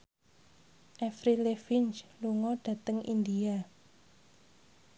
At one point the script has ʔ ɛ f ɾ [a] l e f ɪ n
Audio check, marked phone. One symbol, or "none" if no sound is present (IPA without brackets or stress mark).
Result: i